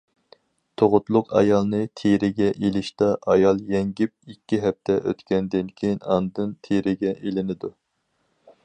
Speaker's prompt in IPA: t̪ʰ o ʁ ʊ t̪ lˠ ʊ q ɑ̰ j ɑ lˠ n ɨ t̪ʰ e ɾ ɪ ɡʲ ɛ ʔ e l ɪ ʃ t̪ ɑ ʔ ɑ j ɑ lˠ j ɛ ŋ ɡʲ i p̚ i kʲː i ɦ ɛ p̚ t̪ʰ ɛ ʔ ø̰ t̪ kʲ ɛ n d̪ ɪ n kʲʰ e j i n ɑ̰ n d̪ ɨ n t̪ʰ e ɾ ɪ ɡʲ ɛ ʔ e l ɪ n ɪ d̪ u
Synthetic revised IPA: t̪ʰ o ʁ ʊ t̪ lˠ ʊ q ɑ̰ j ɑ lˠ n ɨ t̪ʰ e ɾ ɪ ɡʲ ɛ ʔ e l ɪ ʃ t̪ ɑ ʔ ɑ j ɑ lˠ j ɛ ŋ ɡʲ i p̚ i kʲː i ɦ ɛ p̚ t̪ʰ ɛ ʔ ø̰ t̪ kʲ ɛ n d̪ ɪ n kʲʰ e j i n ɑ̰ n d̪ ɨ n t̪ʰ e ɾ ɪ ɡʲ ɛ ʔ e l ɪ n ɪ d̪ u